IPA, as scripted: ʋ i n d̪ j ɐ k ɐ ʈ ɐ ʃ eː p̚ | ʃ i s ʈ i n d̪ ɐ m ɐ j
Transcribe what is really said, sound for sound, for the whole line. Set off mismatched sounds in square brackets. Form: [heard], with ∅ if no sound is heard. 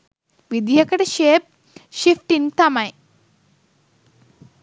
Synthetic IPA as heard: ʋ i [∅] d̪ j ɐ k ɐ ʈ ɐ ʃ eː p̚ | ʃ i [f] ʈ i n [t̪] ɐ m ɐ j